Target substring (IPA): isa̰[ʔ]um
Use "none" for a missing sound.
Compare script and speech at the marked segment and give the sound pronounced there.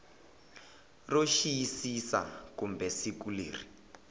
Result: k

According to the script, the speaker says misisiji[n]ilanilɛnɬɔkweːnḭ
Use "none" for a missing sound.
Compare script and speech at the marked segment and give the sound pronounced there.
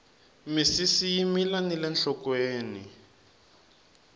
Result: m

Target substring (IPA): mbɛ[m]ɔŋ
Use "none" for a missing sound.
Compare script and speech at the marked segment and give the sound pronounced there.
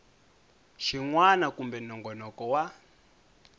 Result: n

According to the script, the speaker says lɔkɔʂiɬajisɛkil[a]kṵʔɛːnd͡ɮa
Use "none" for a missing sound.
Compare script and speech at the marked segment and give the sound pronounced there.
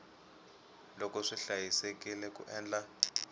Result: ɛ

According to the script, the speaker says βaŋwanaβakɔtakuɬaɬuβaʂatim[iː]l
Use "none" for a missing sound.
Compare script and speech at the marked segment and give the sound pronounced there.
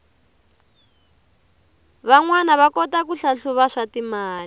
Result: aː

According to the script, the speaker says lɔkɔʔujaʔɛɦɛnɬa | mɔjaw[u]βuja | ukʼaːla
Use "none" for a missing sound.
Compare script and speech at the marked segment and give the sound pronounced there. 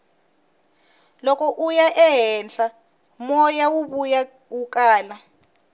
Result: u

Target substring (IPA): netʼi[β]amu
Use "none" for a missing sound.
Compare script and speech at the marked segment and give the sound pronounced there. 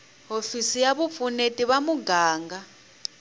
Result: β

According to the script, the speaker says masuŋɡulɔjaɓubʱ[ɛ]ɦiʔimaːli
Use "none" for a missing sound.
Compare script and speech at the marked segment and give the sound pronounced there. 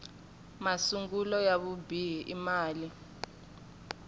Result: i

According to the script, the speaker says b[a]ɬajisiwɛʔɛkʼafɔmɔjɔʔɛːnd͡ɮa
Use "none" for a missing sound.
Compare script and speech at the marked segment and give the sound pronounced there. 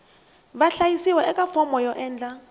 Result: a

